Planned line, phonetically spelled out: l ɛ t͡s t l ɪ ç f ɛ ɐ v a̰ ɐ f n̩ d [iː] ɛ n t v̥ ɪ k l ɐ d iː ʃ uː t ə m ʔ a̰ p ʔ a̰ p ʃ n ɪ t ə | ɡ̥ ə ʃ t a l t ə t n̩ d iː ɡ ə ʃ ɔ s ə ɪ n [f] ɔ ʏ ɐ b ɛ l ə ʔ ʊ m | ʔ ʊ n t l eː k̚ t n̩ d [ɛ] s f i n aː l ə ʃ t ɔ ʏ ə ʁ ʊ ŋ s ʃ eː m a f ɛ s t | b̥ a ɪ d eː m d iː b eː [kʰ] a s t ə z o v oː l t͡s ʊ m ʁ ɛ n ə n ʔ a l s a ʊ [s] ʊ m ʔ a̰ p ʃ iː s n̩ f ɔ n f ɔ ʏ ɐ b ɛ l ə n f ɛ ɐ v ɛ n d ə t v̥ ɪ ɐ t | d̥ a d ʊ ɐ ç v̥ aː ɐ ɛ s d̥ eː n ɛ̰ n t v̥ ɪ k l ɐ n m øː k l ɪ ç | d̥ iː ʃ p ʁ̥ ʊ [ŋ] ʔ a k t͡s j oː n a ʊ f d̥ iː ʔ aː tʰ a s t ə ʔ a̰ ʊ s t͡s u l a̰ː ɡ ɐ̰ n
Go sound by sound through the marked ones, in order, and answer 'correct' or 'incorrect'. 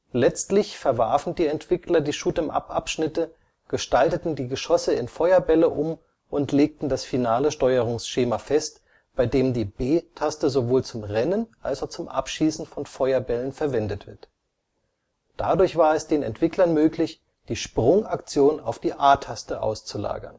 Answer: correct, correct, incorrect, incorrect, incorrect, correct

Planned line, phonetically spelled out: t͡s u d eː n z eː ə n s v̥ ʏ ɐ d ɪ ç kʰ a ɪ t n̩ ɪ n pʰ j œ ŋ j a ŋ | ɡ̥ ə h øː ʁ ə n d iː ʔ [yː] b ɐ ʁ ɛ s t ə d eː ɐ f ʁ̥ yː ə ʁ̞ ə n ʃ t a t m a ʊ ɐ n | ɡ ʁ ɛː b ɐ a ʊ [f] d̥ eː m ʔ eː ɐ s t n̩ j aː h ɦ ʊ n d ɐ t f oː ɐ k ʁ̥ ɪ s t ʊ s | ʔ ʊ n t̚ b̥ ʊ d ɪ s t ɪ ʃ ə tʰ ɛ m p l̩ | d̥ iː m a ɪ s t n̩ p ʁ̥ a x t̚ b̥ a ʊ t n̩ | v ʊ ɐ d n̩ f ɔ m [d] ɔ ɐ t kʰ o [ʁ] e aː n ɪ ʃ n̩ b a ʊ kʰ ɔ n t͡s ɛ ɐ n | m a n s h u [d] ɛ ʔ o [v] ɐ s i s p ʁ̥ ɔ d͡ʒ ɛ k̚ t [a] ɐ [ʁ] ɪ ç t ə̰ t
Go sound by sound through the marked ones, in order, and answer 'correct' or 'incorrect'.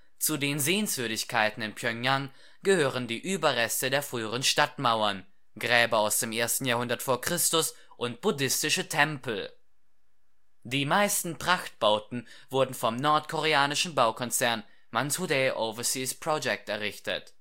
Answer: correct, incorrect, incorrect, correct, correct, correct, incorrect, correct

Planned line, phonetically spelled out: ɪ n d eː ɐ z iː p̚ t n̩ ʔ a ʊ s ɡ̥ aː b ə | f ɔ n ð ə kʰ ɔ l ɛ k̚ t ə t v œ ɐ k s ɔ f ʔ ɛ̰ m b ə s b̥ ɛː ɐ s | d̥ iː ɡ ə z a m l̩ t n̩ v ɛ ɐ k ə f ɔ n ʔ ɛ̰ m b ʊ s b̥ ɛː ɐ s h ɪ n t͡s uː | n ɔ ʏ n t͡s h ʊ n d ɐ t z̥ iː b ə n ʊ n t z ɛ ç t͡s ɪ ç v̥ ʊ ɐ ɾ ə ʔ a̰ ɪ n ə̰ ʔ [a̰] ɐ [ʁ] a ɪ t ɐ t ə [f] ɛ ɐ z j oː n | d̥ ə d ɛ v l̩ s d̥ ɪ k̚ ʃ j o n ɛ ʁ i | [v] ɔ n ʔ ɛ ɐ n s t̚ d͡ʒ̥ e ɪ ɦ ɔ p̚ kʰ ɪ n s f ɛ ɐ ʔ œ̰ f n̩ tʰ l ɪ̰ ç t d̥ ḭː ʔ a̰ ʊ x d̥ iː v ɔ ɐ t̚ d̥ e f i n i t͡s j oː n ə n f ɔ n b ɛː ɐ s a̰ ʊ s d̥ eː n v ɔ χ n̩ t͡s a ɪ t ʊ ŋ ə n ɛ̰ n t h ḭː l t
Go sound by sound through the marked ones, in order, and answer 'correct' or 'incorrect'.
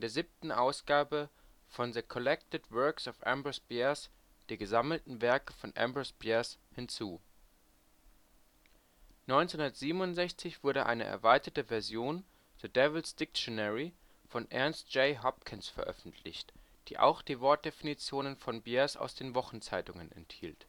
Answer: incorrect, incorrect, incorrect, incorrect

